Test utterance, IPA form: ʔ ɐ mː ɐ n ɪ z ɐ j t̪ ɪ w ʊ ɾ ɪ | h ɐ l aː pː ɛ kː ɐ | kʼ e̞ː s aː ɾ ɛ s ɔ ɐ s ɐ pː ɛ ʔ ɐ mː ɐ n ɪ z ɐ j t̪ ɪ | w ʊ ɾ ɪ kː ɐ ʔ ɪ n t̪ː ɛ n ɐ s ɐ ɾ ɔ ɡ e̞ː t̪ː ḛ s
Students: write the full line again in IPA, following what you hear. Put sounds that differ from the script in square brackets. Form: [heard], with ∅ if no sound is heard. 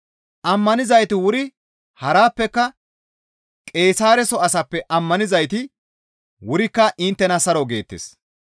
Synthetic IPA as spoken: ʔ ɐ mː ɐ n ɪ z ɐ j t̪ ɪ w ʊ ɾ ɪ | h ɐ [ɾ] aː pː ɛ kː ɐ | kʼ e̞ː s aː ɾ ɛ s ɔ ɐ s ɐ pː ɛ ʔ ɐ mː ɐ n ɪ z ɐ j t̪ ɪ | w ʊ ɾ ɪ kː ɐ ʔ ɪ n t̪ː ɛ n ɐ s ɐ ɾ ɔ ɡ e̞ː t̪ː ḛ s